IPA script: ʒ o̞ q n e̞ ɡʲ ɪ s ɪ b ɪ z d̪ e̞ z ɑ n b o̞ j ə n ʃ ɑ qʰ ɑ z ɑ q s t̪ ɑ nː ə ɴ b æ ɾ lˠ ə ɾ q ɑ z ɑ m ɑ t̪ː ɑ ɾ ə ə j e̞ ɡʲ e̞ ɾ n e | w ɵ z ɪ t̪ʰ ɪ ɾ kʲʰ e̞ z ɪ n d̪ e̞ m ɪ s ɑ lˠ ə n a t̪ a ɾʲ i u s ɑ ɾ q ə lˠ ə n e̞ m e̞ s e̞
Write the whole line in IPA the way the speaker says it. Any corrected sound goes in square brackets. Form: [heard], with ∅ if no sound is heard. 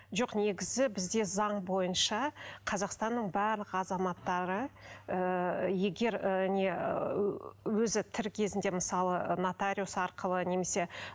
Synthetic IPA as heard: ʒ o̞ q n e̞ ɡʲ ɪ [z] ɪ b ɪ z d̪ e̞ z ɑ [ɴ] b o̞ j ə n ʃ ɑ qʰ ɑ z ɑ q s t̪ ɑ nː ə ɴ b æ ɾ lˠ ə [∅] q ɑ z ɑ m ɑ t̪ː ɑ ɾ ə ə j e̞ ɡʲ e̞ ɾ n e | w ɵ z ɪ t̪ʰ ɪ ɾ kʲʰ e̞ z ɪ n d̪ e̞ m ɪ s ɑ lˠ ə n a t̪ a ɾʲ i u s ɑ ɾ q ə lˠ ə n e̞ m e̞ s e̞